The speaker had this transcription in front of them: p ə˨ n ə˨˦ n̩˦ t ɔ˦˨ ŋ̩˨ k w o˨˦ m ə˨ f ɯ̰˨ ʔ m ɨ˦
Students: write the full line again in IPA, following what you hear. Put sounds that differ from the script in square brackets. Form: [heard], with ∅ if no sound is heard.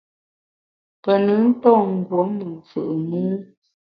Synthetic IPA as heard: p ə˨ n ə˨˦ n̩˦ t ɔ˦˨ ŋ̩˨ [ɡ] w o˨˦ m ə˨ f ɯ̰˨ ʔ m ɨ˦